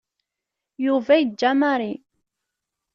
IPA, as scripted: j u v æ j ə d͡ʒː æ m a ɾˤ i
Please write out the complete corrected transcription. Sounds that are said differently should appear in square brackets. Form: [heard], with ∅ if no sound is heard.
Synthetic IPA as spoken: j u v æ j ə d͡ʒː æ m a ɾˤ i